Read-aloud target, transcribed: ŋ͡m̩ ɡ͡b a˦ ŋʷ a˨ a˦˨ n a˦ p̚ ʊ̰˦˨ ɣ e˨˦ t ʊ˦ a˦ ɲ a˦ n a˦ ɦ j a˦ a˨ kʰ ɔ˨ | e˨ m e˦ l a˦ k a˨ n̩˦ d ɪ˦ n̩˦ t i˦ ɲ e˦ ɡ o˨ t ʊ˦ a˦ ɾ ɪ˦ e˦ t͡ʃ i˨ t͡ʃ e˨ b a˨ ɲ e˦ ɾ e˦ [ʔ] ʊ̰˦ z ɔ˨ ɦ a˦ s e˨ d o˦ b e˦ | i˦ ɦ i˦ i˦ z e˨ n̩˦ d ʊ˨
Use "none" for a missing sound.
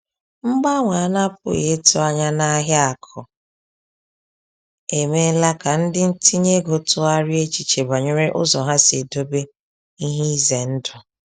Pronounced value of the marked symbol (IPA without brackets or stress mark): ʔ